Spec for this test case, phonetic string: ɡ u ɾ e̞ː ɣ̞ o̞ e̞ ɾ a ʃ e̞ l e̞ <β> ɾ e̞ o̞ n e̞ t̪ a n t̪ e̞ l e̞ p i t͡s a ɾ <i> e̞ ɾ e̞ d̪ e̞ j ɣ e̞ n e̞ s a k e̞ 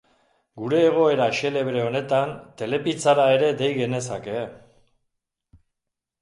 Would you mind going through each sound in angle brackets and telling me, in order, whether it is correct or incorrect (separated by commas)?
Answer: correct, incorrect